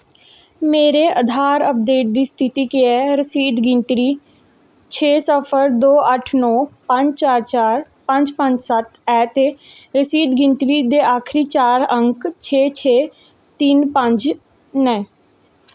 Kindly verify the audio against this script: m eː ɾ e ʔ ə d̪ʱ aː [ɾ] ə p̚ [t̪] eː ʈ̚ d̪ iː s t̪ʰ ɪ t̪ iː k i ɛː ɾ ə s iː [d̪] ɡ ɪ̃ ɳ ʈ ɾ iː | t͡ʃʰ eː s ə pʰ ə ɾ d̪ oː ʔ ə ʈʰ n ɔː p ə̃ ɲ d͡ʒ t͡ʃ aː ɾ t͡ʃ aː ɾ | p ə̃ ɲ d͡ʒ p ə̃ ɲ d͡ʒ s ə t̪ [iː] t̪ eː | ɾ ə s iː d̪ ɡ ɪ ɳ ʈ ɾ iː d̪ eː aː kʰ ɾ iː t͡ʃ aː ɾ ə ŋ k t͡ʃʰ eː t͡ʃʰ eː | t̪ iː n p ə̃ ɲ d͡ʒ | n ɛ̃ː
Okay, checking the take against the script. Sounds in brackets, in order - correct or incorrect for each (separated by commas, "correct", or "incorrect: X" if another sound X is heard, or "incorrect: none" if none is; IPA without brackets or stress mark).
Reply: correct, incorrect: d̪, correct, incorrect: ɛː